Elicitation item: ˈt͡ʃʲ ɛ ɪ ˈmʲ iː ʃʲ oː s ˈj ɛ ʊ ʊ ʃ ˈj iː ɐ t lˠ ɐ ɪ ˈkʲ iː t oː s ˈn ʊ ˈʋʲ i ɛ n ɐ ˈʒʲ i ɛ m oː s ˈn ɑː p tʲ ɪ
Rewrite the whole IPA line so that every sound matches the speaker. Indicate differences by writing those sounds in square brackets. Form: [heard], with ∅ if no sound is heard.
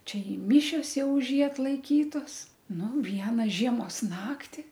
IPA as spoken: ˈt͡ʃʲ ɛ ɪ ˈmʲ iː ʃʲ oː s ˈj ɛ ʊ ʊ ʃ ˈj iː ɐ t lˠ ɐ ɪ ˈkʲ iː t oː s ˈn ʊ ˈʋʲ i ɛ n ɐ ˈʒʲ i ɛ m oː s ˈn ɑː [k] tʲ ɪ